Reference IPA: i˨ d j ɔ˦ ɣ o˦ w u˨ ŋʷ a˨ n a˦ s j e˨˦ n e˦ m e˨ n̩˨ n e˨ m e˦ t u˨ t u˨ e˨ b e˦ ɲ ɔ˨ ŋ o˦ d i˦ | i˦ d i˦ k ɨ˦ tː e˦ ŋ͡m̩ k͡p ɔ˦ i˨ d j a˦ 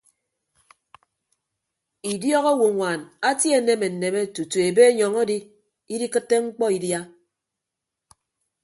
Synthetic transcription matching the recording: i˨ d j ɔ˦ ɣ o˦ w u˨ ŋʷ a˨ n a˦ t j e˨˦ n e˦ m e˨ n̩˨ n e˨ m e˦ t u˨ t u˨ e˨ b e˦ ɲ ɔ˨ ŋ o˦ d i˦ | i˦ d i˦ k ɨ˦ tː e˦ ŋ͡m̩ k͡p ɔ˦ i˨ d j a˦

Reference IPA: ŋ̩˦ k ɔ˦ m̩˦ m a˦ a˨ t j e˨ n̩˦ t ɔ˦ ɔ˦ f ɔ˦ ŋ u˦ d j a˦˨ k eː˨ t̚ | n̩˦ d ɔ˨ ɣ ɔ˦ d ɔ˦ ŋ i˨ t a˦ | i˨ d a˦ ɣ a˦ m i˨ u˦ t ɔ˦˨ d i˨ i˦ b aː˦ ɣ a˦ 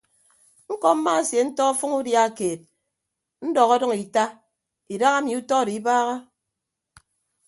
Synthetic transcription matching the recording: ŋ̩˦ k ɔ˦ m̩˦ m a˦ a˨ s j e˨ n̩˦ t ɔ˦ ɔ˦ f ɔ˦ ŋ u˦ d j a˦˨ k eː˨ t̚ | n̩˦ d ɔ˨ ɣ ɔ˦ d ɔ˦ ŋ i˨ t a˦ | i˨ d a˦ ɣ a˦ m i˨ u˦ t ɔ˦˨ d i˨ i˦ b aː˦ ɣ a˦

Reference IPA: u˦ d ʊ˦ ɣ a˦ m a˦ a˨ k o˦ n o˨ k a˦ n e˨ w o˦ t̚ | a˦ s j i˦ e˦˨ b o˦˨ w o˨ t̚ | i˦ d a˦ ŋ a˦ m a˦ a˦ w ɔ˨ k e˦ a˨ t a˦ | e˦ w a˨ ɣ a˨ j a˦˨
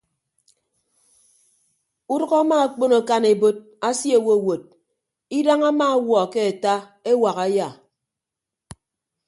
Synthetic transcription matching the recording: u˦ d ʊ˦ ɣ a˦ m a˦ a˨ k͡p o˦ n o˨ k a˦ n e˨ b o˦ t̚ | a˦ s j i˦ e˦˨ w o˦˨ w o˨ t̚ | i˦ d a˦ ŋ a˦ m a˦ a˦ w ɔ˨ k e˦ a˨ t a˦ | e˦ w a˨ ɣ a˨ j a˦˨

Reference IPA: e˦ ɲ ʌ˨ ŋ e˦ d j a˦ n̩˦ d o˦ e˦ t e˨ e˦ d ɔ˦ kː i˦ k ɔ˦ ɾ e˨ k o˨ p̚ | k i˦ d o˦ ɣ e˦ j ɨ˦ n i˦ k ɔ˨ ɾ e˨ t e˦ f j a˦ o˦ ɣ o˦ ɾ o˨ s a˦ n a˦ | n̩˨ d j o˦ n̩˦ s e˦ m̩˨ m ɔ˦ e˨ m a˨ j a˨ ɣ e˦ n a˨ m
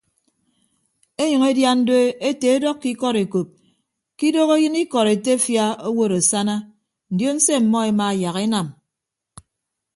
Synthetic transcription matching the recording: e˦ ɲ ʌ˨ ŋ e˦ d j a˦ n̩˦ d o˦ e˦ t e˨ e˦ d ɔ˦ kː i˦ k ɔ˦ ɾ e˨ k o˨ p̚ | k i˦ d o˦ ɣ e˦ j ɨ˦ n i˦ k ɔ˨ ɾ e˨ t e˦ f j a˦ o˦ w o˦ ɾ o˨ s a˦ n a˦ | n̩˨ d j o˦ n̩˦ s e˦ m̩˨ m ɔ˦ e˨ m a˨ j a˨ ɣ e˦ n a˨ m

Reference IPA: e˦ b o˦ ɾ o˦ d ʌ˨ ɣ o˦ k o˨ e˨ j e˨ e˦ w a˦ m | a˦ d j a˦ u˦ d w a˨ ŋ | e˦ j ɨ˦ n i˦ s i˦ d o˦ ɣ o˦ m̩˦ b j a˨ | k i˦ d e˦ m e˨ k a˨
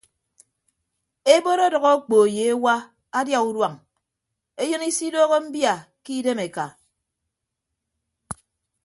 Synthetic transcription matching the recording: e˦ b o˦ ɾ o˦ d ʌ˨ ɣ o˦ k͡p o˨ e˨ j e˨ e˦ w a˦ | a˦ d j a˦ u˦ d w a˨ ŋ | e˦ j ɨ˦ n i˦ s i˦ d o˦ ɣ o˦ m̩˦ b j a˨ | k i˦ d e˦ m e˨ k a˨

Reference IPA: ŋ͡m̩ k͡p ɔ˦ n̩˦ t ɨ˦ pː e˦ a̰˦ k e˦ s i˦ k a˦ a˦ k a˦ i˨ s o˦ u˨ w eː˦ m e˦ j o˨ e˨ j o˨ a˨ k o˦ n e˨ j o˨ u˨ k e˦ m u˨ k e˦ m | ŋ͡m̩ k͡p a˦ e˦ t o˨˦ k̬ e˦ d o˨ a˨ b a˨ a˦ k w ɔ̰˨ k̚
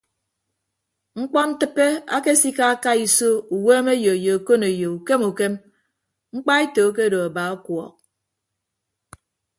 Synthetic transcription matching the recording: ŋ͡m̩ k͡p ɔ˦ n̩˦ t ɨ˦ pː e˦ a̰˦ k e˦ s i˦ k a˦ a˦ k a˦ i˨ s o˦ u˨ w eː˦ m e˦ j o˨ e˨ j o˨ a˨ k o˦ n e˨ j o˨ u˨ k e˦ m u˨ k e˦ m | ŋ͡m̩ k͡p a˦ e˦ t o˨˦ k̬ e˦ d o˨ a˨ b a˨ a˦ k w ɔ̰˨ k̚

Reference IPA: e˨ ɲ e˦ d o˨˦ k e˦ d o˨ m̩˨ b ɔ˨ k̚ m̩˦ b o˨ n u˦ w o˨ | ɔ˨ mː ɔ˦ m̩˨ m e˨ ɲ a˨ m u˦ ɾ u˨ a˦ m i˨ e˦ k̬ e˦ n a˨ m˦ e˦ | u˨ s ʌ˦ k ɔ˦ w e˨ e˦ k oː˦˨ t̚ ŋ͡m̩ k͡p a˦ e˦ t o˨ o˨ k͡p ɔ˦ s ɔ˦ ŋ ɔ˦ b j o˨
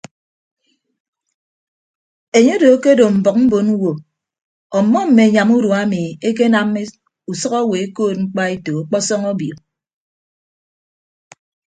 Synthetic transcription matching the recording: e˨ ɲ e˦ d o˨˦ k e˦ d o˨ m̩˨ b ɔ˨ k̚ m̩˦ b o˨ n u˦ w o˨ | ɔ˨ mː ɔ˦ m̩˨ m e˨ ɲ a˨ m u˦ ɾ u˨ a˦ m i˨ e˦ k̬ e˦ n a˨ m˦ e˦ | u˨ s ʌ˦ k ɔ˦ w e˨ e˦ k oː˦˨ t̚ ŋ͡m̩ k͡p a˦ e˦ t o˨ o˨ k͡p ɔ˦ s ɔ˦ ŋ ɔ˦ b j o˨

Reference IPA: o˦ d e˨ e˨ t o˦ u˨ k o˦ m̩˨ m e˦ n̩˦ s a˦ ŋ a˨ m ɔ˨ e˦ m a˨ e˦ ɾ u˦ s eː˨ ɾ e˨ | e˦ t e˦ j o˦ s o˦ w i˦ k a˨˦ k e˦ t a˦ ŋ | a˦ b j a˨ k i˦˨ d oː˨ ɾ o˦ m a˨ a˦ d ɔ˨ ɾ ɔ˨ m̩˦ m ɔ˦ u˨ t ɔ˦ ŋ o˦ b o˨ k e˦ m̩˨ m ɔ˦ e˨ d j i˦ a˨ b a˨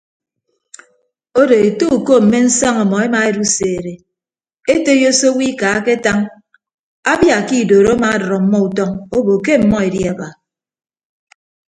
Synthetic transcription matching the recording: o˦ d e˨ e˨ t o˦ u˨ k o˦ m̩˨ m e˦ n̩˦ s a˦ ŋ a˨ m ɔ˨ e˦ m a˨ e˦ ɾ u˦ s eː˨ ɾ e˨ | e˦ t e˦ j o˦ s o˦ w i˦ k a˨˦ k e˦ t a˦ ŋ | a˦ b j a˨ k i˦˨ d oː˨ ɾ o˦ m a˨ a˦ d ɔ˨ ɾ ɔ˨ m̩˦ m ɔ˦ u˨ t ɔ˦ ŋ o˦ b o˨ k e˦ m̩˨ m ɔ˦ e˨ d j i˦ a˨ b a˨

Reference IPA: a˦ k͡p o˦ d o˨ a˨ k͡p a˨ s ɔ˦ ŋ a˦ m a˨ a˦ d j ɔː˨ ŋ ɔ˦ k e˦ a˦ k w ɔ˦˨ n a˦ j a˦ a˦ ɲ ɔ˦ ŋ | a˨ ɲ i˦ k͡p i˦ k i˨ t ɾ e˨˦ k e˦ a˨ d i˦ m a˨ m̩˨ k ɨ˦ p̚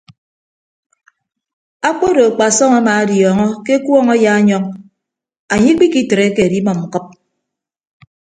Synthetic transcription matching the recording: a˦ k͡p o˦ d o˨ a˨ k͡p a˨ s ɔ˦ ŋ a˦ m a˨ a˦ d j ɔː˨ ŋ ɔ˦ k e˦ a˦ k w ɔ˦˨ ŋ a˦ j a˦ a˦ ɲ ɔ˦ ŋ | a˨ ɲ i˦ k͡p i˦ k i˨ t ɾ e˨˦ k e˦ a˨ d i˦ m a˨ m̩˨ k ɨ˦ p̚

